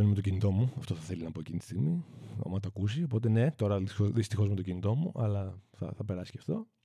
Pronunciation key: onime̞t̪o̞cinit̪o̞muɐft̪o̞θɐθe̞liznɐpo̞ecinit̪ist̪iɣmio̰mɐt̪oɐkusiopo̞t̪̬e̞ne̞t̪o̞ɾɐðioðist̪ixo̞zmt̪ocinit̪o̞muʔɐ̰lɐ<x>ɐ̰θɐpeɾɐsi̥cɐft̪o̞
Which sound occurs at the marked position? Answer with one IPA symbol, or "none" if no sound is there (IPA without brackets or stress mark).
θ